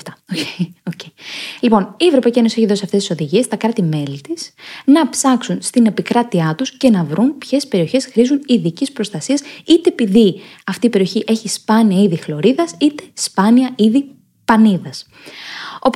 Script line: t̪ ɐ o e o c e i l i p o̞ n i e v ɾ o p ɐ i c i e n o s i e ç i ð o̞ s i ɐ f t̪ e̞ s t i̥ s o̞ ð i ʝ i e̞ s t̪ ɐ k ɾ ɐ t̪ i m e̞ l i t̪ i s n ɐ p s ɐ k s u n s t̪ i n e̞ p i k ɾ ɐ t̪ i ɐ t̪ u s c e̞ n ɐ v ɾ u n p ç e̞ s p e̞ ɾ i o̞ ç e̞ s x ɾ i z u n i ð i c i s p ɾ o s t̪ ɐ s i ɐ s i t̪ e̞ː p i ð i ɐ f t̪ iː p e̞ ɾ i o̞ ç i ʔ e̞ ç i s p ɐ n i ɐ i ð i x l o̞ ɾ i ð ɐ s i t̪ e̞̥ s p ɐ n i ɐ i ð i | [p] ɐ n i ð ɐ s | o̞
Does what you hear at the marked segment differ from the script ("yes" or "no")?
no